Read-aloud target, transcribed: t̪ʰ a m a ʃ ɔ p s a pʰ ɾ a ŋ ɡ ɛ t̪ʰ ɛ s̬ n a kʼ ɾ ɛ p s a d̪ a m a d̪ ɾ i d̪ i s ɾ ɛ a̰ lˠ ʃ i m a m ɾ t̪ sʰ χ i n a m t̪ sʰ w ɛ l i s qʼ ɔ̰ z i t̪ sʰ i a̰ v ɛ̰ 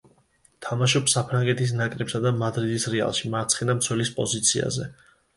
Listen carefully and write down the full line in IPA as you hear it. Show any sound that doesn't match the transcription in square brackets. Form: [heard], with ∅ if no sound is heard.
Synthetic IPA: t̪ʰ a m a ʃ ɔ p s a pʰ ɾ a ŋ ɡ ɛ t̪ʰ [i] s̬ n a kʼ ɾ ɛ p s a d̪ a m a d̪ ɾ i d̪ i s ɾ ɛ a̰ lˠ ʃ i m a [∅] ɾ t̪ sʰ χ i n a m t̪ sʰ w ɛ l i s [pʼ] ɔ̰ z i t̪ sʰ i a̰ [z] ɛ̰